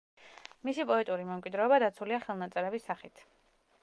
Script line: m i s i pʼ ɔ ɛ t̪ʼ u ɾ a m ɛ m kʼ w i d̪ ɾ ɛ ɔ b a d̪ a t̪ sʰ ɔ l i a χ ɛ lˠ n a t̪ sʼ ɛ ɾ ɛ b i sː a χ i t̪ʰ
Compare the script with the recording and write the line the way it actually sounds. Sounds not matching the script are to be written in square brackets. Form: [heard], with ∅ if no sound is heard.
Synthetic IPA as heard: m i s i pʼ ɔ ɛ t̪ʼ u ɾ [i] m ɛ m kʼ w i d̪ ɾ ɛ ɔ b a d̪ a t̪ sʰ [u] l i a χ ɛ lˠ n a t̪ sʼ ɛ ɾ ɛ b i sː a χ i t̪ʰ